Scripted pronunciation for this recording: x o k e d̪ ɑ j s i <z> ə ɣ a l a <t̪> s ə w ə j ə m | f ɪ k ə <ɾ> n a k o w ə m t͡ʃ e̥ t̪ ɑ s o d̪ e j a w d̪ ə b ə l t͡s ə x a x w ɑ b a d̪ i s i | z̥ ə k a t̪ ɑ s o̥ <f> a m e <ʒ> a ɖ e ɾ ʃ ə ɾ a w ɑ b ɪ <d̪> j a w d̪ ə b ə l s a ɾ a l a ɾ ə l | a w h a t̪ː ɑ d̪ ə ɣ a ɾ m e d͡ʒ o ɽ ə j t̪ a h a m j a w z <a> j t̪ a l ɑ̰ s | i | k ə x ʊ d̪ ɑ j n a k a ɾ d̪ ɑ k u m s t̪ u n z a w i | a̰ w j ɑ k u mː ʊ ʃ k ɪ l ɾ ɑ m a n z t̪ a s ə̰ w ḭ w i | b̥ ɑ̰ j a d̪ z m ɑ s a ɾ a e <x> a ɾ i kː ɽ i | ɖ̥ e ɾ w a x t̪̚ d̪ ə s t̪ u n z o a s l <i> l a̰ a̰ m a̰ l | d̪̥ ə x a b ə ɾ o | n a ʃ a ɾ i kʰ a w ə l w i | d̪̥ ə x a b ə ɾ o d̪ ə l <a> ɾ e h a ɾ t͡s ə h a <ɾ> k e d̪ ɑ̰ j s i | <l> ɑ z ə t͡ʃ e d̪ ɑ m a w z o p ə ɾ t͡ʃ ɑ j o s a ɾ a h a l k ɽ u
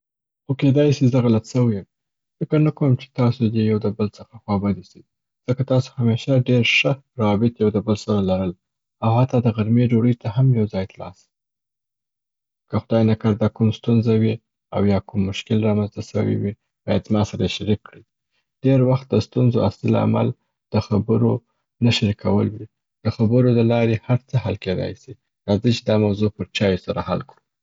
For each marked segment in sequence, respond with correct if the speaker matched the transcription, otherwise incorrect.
correct, correct, correct, incorrect: h, incorrect: ʃ, incorrect: t̪, incorrect: ɑ, incorrect: ʃ, correct, incorrect: ɑ, incorrect: l, incorrect: ɾ

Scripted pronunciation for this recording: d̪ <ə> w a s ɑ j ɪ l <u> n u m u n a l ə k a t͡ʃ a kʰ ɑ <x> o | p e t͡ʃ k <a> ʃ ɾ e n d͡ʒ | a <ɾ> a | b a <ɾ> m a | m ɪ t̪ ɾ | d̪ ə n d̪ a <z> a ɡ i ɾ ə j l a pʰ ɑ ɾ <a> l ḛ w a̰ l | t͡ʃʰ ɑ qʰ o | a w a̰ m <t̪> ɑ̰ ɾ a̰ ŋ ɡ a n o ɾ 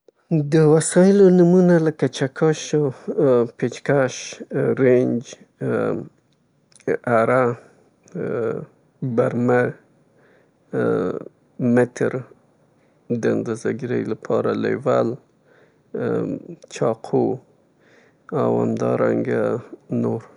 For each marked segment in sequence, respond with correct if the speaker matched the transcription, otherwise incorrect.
correct, incorrect: o, incorrect: ʃ, correct, correct, correct, correct, correct, incorrect: d̪

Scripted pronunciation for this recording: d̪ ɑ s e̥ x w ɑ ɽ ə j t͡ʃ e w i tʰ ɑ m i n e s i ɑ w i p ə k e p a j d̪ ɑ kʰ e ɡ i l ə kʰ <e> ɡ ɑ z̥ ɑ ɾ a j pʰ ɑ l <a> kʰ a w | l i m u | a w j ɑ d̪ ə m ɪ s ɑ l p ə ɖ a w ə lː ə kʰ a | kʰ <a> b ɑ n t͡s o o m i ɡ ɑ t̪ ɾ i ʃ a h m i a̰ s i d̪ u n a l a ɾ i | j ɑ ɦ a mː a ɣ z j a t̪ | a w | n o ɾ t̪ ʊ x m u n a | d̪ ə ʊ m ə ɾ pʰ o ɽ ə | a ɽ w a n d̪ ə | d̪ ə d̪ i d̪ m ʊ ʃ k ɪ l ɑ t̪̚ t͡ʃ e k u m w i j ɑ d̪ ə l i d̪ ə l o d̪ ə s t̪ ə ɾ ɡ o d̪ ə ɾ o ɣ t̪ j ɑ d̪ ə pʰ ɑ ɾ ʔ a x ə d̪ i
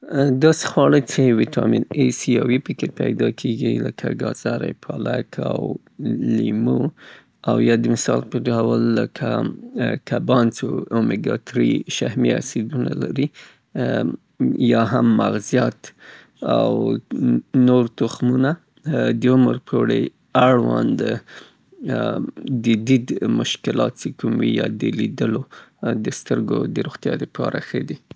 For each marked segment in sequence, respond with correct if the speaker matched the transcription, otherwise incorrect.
incorrect: a, correct, correct

